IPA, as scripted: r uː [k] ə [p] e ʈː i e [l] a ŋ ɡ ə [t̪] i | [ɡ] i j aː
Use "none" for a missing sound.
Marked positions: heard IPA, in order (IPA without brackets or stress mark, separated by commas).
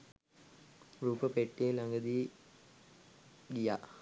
p, p, l, d̪, ɡ